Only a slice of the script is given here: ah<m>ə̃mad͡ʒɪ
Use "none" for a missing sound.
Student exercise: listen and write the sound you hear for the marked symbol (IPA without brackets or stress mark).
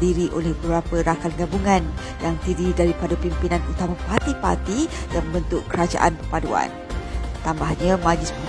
ɲ